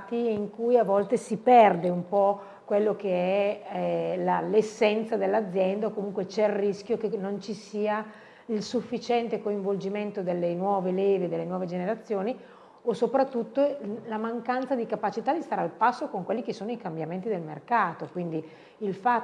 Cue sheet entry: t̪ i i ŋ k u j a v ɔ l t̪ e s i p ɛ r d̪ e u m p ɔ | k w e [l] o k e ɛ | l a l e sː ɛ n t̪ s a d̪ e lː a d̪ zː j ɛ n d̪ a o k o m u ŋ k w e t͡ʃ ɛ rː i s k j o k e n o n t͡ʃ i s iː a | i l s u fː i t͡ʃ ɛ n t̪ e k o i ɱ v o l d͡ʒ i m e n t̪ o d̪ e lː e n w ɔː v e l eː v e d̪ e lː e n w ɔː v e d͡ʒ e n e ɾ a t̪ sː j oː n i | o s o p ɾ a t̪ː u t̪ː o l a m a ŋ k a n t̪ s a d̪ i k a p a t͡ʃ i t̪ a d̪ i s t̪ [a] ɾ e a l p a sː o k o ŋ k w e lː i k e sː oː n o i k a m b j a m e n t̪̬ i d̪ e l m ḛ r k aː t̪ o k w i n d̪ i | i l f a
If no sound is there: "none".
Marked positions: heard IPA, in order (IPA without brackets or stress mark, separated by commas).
lː, a